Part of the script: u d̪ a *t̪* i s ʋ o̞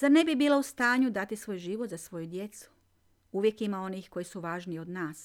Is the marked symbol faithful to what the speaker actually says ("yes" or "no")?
yes